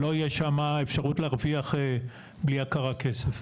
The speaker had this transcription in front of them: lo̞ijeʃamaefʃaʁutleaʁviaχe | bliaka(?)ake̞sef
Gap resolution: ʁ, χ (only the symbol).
ʁ